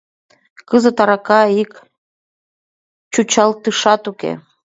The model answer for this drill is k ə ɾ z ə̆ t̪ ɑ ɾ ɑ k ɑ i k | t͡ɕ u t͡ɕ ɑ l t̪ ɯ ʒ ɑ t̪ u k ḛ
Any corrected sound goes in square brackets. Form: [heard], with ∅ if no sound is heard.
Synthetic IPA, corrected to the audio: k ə [∅] z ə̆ t̪ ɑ ɾ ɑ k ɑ i k | t͡ɕ u t͡ɕ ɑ l t̪ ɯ [ʃ] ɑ t̪ u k ḛ

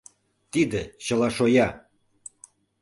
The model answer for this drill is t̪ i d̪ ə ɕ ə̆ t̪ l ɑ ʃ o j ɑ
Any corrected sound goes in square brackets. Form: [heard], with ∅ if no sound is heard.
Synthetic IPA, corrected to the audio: t̪ i d̪ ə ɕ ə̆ [∅] l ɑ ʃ o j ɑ

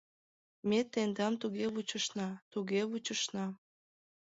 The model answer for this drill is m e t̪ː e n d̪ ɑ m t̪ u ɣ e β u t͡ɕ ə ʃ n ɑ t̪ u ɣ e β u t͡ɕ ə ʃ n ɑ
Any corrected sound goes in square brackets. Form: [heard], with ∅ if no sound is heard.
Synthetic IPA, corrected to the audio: m e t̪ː e n d̪ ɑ m t̪ u ɣ e β u t͡ɕ ə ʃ n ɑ t̪ u ɣ e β u t͡ɕ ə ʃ n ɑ

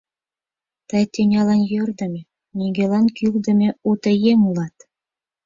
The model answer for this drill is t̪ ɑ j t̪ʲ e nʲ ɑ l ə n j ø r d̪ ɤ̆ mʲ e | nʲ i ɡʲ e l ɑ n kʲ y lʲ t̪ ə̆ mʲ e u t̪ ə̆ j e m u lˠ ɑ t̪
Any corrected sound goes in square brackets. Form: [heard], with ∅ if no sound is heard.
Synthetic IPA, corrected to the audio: t̪ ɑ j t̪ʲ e nʲ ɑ l [ɑ] n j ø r d̪ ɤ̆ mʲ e | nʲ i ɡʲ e l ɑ n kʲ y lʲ [d̪] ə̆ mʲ e u t̪ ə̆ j e m u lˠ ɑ t̪

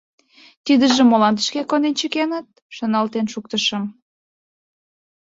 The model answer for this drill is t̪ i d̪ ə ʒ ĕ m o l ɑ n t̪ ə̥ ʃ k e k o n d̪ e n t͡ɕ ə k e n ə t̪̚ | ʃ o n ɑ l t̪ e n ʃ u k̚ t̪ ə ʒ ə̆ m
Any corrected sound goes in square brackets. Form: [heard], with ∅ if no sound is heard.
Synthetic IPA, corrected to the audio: t̪ i d̪ ə ʒ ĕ m o l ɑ n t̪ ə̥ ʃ k e k o n d̪ e n t͡ɕ ə k e n ə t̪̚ | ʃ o n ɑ l t̪ e n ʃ u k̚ t̪ ə [ʃ] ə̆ m

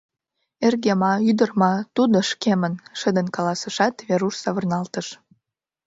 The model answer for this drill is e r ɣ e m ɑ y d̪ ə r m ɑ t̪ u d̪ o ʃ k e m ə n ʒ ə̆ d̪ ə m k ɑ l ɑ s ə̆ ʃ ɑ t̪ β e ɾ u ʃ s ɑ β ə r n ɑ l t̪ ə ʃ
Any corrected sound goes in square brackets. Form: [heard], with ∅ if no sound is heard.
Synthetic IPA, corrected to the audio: e r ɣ e m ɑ y d̪ ə r m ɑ t̪ u d̪ o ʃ k e m ə n [ʃ] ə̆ d̪ ə [n] k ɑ l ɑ s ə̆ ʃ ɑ t̪ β e ɾ u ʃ s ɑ β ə r n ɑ l t̪ ə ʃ

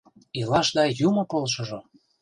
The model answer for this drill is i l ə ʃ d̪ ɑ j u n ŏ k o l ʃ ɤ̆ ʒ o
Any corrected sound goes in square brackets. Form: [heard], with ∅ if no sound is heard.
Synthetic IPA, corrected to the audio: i l [ɑ] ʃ d̪ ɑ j u [m] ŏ k o l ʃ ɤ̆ ʒ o

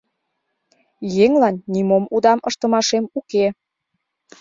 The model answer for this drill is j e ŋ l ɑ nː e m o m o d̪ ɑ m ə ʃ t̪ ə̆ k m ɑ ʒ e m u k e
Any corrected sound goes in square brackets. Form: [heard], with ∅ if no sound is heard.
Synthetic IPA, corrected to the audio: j e ŋ l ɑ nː [i] m o m [u] d̪ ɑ m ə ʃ t̪ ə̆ [∅] m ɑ [ʃ] e m u k e

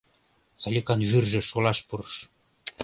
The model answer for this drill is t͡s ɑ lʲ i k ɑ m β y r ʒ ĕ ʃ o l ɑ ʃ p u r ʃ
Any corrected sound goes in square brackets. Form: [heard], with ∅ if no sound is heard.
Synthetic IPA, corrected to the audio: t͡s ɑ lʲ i k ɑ [n] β y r ʒ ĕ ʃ o l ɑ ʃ p u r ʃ

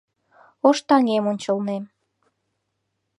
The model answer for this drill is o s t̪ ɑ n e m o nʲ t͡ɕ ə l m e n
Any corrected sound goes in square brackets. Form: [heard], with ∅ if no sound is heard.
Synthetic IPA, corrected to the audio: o [ʃ] t̪ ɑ [ŋ] e m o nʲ t͡ɕ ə l [n] e [m]

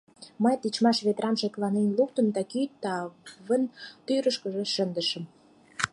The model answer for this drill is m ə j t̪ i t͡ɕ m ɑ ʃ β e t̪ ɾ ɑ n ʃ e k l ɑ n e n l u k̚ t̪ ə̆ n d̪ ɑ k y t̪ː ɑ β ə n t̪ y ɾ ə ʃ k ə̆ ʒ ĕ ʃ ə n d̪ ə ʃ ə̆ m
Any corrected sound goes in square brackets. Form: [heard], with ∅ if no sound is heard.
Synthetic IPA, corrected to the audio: m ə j t̪ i t͡ɕ m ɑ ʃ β e t̪ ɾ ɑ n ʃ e k l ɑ n e n l u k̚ t̪ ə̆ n d̪ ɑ k y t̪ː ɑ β ə n t̪ y ɾ ə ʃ k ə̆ ʒ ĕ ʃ ə n d̪ ə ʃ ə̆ m

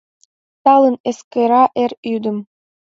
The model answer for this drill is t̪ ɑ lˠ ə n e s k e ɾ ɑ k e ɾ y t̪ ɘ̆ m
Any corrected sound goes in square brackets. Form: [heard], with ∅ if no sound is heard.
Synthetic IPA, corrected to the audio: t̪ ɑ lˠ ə n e s k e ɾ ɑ [ʔ] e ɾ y [d̪] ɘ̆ m

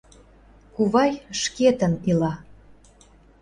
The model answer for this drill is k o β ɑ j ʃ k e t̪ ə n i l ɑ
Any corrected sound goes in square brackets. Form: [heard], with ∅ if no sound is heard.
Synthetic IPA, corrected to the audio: k [u] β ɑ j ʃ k e t̪ ə n i l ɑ

